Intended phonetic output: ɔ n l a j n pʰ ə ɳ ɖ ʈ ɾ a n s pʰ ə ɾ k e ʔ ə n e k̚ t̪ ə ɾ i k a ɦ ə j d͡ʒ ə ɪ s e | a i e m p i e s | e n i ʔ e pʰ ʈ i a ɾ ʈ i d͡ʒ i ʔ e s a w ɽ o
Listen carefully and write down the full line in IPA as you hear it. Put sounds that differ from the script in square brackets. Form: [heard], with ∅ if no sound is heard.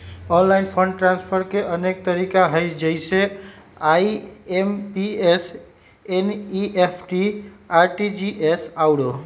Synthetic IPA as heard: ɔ n l a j n pʰ ə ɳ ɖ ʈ ɾ a n s pʰ ə ɾ k e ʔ ə n e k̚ t̪ ə ɾ i k a ɦ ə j d͡ʒ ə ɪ s e | a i e m p i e s | e n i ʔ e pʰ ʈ i a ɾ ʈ i d͡ʒ i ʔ e s a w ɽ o